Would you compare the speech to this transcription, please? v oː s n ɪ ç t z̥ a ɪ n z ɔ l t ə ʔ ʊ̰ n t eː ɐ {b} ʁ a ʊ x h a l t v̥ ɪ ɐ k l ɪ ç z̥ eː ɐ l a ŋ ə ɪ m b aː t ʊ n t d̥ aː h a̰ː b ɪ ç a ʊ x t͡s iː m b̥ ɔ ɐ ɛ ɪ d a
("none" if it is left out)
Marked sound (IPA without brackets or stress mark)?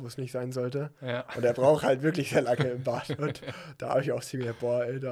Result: b